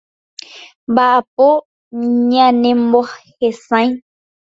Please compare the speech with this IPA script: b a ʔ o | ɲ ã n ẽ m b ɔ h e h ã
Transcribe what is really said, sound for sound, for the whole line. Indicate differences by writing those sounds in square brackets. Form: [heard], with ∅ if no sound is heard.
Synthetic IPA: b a [p] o | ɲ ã n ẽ m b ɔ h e [s] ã